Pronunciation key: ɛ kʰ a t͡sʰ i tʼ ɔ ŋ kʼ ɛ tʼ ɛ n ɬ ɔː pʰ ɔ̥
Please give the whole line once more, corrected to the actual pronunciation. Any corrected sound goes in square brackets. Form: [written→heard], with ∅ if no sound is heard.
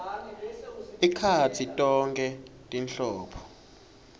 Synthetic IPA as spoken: [ɛ→i] kʰ a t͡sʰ i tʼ ɔ ŋ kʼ ɛ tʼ [ɛ→i] n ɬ ɔː pʰ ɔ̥